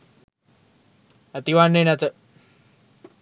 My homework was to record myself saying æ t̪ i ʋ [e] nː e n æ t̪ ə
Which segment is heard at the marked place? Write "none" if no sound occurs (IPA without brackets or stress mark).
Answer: a